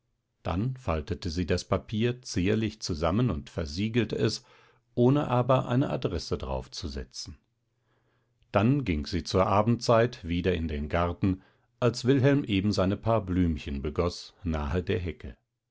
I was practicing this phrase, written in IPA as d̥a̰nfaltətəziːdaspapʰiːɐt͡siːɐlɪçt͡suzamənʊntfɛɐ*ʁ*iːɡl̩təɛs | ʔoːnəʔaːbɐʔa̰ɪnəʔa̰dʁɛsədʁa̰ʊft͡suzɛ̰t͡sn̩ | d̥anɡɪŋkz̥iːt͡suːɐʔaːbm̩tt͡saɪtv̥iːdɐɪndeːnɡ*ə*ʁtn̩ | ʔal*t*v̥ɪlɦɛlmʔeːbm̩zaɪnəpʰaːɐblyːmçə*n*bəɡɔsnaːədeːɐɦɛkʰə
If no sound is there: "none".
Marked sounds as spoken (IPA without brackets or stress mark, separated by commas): z, a, s, n